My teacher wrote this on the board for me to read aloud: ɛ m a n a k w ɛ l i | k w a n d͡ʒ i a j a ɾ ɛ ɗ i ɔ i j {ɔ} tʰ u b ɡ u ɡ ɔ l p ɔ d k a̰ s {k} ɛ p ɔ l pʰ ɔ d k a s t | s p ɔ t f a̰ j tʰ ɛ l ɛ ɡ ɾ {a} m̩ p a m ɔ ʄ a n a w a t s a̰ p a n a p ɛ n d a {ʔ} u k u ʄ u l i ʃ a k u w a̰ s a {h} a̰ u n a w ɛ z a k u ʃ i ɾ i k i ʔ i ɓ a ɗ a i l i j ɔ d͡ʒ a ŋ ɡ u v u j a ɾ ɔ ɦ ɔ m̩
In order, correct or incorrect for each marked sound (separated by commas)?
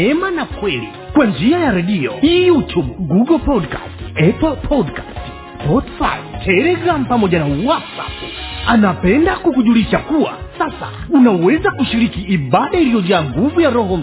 incorrect, incorrect, correct, incorrect, incorrect